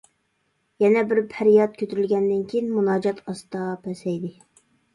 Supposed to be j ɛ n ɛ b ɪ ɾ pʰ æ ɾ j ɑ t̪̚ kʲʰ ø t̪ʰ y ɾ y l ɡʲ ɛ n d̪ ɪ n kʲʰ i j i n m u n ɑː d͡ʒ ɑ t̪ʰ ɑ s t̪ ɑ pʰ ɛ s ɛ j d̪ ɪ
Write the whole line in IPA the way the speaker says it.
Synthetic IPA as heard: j ɛ n ɛ b ɪ ɾ pʰ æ ɾ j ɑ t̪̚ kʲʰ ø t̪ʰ y ɾ y l ɡʲ ɛ n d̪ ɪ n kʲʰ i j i n m u n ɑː d͡ʒ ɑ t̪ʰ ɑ s t̪ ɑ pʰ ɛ s ɛ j d̪ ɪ

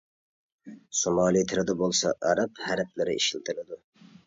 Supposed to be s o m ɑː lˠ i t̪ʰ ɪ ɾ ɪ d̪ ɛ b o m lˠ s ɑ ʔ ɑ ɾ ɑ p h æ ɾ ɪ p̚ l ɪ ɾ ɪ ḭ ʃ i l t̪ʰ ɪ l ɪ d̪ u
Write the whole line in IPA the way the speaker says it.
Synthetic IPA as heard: s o m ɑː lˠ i t̪ʰ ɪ ɾ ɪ d̪ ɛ b o lˠ s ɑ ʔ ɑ ɾ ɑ p h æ ɾ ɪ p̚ l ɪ ɾ ɪ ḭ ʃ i l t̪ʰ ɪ l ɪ d̪ u

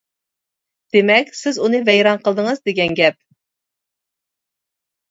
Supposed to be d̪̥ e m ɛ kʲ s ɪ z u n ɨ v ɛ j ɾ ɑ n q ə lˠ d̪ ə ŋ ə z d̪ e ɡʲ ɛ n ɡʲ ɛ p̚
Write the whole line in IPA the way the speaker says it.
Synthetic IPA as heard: d̪̥ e m ɛ kʲ s ɪ z u n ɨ v ɛ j ɾ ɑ n q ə lˠ d̪ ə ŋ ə z d̪ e ɡʲ ɛ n ɡʲ ɛ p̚

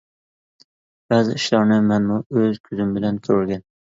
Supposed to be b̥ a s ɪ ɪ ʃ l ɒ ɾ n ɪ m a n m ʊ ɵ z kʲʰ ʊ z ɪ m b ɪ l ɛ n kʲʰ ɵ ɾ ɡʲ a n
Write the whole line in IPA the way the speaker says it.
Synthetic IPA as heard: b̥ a z ɪ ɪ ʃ l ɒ ɾ n ɪ m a n m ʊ ɵ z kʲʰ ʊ z ɪ m b ɪ l a n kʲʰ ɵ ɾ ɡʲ a n

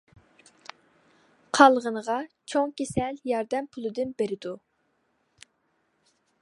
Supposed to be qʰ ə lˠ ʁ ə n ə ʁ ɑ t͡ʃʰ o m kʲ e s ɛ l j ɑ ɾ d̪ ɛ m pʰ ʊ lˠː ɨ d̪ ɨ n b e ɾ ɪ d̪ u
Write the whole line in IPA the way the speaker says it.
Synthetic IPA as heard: qʰ ɑ lˠ ʁ ə n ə ʁ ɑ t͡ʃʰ o ŋ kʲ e s ɛ l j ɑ ɾ d̪ ɛ m pʰ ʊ lˠ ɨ d̪ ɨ n b e ɾ ɪ d̪ u

